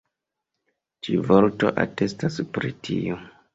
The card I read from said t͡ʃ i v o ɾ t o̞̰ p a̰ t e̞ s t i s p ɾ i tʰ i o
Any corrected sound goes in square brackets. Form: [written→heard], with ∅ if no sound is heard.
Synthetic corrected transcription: t͡ʃ i v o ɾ t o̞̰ [p→ʔ] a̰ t e̞ s t [i→a] s p ɾ i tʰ i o